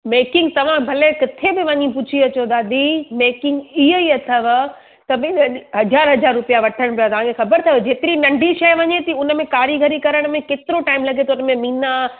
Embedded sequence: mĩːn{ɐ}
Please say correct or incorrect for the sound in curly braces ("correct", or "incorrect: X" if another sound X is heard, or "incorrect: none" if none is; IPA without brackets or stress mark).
incorrect: a